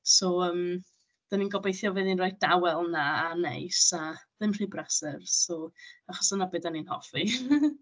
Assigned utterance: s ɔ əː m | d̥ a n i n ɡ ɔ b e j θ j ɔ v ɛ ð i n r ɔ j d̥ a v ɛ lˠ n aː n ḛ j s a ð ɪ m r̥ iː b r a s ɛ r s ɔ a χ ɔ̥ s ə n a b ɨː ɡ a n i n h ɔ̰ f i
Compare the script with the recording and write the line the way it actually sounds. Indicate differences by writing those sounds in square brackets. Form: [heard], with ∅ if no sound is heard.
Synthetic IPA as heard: s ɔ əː m | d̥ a n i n ɡ ɔ b e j θ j ɔ v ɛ ð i n r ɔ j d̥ a [w] ɛ lˠ n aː n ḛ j s a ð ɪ m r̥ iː b r a s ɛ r s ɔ a χ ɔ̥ s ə n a b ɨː [d] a n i n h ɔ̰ f i